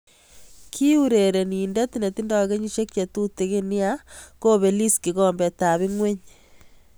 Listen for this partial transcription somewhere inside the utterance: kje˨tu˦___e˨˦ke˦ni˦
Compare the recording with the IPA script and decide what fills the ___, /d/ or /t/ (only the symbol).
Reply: t